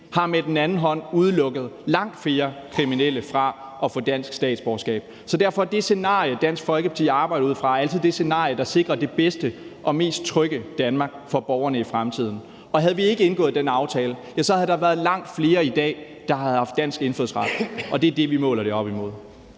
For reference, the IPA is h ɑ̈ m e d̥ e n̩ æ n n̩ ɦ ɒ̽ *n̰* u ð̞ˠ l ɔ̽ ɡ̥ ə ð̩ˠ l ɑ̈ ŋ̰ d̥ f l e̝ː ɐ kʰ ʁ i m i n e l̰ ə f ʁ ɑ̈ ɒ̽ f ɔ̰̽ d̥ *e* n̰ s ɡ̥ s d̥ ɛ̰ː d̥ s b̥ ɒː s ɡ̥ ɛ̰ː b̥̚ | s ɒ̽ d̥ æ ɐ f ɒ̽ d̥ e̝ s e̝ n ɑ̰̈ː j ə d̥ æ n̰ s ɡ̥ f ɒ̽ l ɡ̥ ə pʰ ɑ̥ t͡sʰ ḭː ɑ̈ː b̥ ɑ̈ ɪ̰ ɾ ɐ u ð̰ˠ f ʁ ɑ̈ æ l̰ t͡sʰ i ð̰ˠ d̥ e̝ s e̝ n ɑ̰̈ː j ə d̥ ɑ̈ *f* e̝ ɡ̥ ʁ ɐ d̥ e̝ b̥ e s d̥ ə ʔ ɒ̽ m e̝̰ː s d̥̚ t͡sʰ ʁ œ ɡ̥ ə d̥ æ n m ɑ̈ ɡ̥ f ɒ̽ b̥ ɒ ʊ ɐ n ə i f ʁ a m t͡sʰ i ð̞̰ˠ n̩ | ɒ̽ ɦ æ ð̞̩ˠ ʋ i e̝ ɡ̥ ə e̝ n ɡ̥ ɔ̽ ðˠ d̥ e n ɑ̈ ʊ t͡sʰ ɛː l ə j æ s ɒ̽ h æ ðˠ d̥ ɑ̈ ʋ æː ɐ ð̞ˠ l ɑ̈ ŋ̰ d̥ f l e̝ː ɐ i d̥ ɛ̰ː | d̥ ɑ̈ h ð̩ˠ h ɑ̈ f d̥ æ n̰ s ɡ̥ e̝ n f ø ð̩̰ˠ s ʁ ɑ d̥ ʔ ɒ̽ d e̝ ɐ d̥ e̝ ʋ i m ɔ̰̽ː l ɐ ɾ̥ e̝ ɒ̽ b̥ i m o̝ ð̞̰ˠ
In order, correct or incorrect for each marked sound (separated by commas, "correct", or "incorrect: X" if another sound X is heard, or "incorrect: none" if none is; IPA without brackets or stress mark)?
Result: correct, incorrect: æ, incorrect: s